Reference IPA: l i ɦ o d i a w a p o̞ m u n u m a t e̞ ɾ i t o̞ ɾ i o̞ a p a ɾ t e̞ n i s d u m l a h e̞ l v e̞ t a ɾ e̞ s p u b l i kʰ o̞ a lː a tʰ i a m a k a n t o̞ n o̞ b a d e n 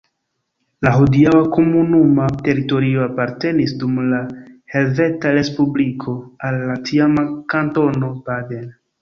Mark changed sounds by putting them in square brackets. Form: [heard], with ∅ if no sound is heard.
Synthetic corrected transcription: l [a] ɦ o d i a w a [k] o̞ m u n u m a t e̞ ɾ i t o̞ ɾ i o̞ a p a ɾ t e̞ n i s d u m l a h e̞ l v e̞ t a ɾ e̞ s p u b l i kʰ o̞ a lː a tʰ i a m a k a n t o̞ n o̞ b a d e n